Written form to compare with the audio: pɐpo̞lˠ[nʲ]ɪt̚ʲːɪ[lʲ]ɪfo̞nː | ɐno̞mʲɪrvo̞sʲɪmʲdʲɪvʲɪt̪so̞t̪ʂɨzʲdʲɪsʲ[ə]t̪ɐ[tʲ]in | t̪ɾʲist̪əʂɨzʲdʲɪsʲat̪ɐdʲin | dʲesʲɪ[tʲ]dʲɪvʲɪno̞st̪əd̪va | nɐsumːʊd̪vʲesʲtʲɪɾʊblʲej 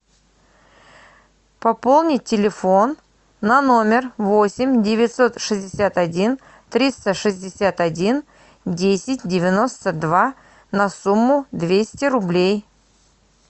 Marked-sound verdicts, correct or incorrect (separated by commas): correct, correct, incorrect, incorrect, correct